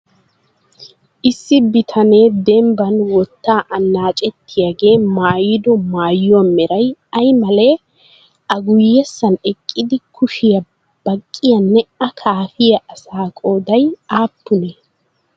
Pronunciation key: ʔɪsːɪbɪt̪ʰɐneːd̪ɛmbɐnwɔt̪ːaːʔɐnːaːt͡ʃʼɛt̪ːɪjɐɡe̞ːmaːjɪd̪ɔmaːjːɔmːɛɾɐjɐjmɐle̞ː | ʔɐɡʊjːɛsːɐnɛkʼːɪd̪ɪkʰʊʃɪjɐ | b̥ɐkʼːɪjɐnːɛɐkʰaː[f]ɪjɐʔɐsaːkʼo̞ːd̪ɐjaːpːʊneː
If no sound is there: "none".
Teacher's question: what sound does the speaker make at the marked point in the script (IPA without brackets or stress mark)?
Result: f